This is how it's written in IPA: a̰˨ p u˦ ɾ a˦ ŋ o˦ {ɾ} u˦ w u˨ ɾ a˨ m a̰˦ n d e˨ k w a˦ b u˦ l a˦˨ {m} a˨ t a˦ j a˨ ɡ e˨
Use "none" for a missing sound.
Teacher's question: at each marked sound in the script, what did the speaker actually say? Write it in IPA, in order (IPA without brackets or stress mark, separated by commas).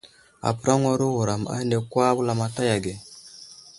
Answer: ɾ, m